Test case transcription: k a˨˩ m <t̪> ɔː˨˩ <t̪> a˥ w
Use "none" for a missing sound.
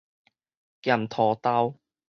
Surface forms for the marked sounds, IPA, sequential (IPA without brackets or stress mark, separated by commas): t̪ʰ, t̪